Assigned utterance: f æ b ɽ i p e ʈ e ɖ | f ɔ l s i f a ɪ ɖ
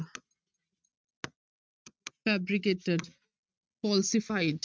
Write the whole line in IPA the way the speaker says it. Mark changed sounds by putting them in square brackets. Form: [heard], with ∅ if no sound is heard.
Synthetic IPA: f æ b [ɾ] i [k] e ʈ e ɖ | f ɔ l s i f a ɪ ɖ